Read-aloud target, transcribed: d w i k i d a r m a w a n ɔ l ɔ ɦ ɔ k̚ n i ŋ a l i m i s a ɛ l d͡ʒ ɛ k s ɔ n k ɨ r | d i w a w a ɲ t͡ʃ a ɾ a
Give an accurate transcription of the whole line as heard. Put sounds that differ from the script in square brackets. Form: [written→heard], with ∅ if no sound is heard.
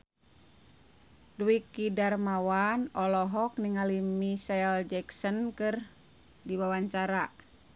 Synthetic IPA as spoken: d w i k i d a r m a w a n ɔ l ɔ ɦ ɔ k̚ n i ŋ a l i m i s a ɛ l d͡ʒ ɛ k s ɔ n k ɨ r | d i w a w a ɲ t͡ʃ a ɾ a